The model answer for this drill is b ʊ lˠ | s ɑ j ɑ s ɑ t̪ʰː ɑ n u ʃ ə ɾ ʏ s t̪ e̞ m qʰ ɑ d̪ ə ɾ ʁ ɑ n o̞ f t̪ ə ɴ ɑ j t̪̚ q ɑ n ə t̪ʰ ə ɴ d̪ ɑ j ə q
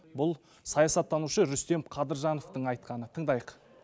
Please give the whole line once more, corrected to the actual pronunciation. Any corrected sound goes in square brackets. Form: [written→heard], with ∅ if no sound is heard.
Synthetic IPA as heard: b ʊ lˠ | s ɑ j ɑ s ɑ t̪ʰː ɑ n u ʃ ə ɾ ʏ s t̪ e̞ m qʰ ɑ d̪ ə ɾ [ʁ→ʒ] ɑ n o̞ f t̪ ə ɴ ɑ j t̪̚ q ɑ n ə t̪ʰ ə ɴ d̪ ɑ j ə q